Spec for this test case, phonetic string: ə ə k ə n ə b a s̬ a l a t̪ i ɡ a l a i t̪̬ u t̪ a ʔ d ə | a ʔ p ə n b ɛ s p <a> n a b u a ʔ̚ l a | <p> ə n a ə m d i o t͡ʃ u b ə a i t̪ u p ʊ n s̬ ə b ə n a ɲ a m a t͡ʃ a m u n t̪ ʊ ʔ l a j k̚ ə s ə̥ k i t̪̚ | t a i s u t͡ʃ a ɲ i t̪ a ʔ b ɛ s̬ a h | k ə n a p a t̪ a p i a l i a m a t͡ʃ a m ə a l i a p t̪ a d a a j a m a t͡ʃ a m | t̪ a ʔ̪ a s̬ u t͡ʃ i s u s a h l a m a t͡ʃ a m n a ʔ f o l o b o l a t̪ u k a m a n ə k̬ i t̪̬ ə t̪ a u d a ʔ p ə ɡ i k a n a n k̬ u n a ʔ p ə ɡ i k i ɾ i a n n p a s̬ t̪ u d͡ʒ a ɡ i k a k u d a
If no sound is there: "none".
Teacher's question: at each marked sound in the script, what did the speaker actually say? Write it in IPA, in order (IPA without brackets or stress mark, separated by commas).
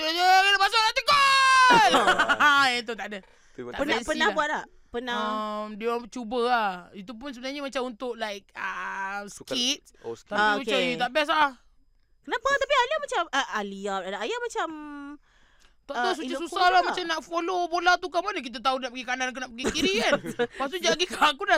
ə, p